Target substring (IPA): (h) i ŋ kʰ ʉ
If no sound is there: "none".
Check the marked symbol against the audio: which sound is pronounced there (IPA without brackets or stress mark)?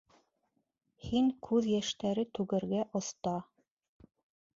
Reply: h